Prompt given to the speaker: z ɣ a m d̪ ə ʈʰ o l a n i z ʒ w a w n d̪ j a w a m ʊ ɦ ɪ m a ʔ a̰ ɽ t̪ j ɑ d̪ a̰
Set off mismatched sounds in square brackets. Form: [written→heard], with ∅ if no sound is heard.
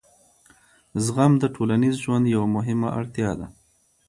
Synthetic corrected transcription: z ɣ a m d̪ ə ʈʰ o l a n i z ʒ w a [w→∅] n d̪ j a w a m ʊ ɦ ɪ m a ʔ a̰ ɽ t̪ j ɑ d̪ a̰